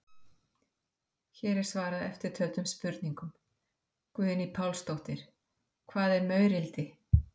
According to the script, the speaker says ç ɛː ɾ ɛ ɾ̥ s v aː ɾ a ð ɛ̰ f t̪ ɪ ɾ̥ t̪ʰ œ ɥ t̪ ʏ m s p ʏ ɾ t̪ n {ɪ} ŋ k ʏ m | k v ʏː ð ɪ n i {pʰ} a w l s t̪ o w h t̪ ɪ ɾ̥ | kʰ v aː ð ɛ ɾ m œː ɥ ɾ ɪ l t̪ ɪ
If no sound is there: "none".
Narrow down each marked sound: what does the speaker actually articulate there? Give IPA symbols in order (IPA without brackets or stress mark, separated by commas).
i, pʰ